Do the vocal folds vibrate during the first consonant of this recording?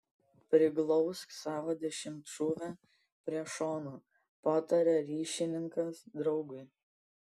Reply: no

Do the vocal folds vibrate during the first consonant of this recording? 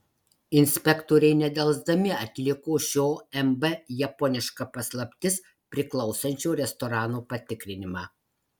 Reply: yes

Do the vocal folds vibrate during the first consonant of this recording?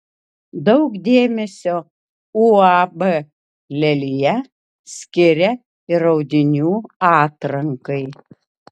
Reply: yes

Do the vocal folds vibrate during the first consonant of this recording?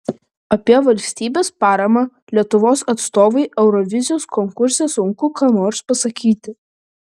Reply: no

